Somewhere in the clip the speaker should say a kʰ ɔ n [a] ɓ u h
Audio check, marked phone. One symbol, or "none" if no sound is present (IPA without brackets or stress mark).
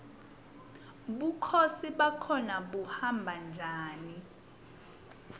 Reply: a